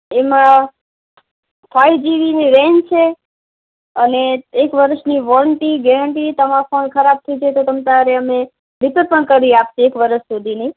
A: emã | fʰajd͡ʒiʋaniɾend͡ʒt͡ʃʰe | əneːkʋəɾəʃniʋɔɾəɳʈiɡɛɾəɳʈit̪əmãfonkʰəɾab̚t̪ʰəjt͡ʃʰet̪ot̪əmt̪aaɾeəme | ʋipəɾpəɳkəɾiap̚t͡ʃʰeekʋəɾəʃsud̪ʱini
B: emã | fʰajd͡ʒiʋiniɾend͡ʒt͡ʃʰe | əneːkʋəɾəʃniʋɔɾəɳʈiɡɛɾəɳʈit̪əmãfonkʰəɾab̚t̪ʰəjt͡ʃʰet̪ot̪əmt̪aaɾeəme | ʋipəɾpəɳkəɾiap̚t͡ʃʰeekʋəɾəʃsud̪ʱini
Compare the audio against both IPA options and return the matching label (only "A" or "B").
B